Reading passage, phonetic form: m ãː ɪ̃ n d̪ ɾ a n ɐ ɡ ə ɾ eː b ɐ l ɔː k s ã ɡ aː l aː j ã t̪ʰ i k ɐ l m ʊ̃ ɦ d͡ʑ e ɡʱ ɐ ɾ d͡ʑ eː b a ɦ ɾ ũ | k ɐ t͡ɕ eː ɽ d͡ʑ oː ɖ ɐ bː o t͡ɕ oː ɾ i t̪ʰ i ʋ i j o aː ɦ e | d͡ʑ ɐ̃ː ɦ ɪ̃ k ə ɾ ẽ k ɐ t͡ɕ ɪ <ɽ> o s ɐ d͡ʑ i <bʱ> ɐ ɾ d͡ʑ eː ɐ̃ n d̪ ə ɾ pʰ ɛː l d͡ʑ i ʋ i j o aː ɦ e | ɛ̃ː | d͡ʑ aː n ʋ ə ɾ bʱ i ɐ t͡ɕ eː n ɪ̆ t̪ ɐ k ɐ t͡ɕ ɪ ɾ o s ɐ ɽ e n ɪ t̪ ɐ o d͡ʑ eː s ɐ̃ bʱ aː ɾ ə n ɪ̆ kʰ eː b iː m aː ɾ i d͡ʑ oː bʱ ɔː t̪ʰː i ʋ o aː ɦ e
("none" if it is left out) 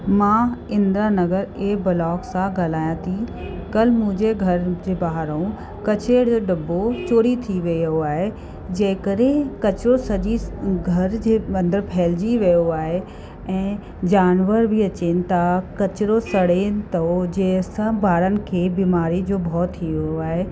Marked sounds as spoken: ɾ, ɡʱ

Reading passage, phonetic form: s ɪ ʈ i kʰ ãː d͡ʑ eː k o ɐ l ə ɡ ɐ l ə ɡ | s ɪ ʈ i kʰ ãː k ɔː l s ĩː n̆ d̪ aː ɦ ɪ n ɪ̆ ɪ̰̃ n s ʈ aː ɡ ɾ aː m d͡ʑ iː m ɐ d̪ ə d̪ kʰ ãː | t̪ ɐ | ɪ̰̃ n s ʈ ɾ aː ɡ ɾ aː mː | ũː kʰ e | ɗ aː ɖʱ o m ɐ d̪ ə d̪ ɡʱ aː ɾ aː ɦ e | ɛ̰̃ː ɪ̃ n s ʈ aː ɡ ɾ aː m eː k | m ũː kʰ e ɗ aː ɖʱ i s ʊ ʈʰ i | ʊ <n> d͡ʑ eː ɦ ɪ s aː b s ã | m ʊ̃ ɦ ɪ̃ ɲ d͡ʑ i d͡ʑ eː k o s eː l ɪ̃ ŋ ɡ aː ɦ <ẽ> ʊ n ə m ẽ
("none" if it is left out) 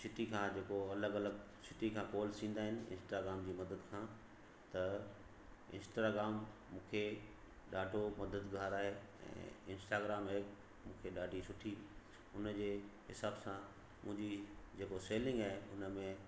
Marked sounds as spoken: n, e

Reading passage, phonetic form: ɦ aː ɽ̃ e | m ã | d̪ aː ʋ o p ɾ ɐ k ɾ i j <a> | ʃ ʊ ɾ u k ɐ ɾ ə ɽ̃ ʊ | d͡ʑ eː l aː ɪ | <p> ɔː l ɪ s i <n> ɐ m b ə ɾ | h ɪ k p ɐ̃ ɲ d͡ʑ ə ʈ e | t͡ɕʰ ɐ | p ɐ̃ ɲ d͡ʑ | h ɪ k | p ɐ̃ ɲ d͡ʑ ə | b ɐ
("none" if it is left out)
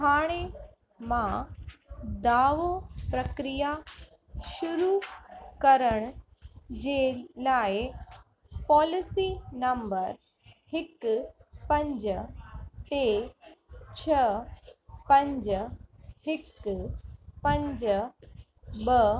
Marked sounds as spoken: a, p, n

